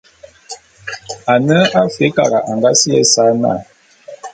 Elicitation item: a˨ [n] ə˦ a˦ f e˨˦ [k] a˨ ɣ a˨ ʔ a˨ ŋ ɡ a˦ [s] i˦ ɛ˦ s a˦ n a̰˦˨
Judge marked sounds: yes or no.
yes, yes, yes

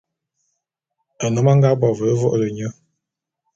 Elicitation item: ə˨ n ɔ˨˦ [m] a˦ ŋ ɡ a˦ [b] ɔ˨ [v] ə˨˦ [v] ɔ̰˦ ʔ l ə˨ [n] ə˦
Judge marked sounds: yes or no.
yes, yes, yes, yes, no

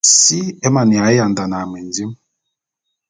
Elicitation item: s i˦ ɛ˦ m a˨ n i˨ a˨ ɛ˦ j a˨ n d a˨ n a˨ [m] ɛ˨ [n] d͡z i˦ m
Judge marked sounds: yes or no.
yes, yes

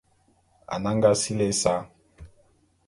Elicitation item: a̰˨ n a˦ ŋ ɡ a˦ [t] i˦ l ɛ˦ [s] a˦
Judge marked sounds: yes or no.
no, yes

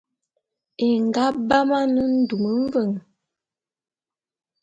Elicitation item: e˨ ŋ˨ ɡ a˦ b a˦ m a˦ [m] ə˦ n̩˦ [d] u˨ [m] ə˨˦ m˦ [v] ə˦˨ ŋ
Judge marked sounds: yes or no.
no, yes, yes, yes

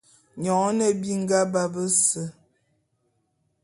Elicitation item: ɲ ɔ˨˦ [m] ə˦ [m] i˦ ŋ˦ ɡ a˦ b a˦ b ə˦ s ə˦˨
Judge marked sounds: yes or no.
no, no

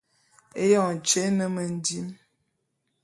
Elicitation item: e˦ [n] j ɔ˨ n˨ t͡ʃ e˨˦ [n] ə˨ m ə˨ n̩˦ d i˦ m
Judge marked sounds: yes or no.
no, yes

